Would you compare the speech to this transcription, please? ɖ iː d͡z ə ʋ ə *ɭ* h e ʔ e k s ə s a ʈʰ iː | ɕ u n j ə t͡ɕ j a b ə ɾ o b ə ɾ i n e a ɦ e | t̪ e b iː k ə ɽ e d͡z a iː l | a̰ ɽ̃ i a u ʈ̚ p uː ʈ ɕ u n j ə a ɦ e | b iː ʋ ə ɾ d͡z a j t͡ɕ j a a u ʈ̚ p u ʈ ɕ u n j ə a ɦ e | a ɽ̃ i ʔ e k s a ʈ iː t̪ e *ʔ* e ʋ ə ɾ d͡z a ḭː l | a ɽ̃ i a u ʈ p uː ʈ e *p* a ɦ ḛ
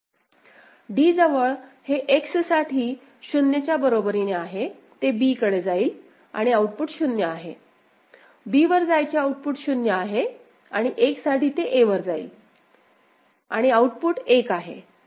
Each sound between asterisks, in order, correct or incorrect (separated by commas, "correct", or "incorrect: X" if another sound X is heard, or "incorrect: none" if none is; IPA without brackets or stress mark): correct, correct, incorrect: k